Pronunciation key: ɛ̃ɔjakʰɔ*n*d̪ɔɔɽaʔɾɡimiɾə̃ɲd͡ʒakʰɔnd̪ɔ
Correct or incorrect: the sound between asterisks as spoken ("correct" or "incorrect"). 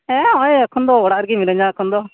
correct